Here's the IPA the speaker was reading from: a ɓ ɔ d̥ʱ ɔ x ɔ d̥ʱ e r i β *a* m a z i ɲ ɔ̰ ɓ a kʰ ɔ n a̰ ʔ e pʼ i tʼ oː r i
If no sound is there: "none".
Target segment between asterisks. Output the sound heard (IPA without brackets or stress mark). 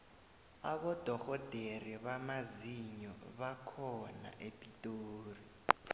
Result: a